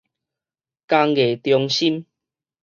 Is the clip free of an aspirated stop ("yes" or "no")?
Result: yes